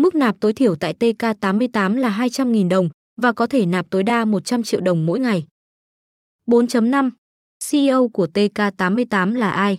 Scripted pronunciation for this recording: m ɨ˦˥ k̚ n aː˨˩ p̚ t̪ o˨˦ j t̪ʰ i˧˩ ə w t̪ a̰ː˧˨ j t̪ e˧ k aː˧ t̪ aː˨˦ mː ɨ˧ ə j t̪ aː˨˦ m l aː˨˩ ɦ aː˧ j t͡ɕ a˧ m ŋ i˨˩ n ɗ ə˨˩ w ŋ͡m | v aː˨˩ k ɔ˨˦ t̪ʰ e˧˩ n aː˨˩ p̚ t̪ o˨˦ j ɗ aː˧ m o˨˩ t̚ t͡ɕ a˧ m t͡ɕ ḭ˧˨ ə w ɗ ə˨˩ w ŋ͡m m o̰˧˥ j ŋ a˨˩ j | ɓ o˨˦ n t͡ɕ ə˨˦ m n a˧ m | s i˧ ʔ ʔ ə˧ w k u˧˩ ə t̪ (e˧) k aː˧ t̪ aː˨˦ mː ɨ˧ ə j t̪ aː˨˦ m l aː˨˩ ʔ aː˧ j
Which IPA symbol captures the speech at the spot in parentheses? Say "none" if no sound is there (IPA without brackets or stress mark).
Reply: e˧